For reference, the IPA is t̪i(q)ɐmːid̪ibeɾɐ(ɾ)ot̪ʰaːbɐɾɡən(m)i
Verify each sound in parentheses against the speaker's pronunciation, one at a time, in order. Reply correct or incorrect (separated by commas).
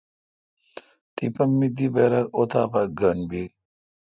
incorrect, correct, incorrect